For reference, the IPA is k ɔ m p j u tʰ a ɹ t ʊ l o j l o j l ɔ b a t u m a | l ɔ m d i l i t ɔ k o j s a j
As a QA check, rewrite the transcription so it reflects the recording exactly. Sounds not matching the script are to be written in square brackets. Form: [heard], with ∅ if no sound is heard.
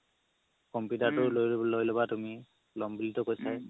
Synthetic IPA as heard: k ɔ m p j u [t] a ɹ t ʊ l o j l o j l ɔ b a t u m [i] | l ɔ m [b] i l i t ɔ k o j s a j